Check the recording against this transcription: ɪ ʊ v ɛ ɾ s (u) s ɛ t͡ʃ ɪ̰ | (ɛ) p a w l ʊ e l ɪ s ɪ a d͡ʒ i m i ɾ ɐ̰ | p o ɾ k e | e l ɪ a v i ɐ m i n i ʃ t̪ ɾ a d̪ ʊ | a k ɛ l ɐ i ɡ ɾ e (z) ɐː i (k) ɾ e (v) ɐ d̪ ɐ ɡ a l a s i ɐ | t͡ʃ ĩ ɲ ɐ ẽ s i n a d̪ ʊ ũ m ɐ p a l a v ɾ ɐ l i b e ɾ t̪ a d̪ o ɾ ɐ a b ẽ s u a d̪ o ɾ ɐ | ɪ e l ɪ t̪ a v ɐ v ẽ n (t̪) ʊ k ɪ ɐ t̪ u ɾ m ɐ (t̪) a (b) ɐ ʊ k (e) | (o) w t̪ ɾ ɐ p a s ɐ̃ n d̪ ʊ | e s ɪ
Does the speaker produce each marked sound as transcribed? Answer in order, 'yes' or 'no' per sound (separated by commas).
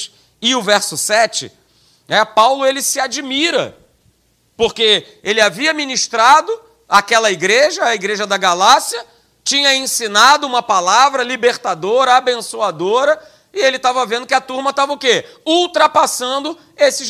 no, yes, no, no, no, no, yes, no, yes, no